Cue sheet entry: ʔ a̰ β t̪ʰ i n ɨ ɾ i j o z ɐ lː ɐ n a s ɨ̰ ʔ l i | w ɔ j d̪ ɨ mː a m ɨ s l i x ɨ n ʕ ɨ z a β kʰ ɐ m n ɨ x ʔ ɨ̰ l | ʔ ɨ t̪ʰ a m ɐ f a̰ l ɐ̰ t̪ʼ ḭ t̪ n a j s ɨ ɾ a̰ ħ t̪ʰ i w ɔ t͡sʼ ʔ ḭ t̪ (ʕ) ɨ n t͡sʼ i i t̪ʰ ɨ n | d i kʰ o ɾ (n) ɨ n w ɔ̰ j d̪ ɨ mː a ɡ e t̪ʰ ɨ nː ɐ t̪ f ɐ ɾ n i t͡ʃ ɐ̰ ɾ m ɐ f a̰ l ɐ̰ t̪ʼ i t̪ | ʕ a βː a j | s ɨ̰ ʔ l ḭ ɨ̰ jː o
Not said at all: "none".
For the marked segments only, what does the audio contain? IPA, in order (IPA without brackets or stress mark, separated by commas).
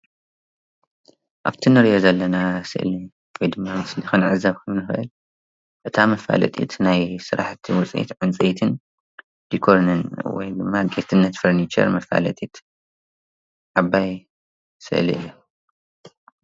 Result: ʕ, n